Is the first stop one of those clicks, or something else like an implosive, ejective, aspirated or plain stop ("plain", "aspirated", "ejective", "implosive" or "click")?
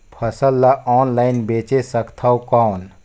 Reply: aspirated